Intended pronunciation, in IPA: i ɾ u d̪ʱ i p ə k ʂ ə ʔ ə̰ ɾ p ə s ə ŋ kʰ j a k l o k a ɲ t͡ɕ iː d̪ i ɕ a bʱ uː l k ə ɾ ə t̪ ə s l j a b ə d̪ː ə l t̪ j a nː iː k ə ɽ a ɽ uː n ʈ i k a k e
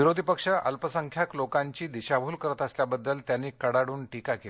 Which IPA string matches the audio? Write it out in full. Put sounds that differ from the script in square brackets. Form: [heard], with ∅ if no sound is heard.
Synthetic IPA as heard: i ɾ [o] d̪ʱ i p ə k ʂ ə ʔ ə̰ [l] p ə s ə ŋ kʰ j a k l o k a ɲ t͡ɕ iː d̪ i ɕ a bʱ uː l k ə ɾ ə t̪ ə s l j a b ə d̪ː ə l t̪ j a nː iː k ə ɽ a ɽ uː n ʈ i k a k e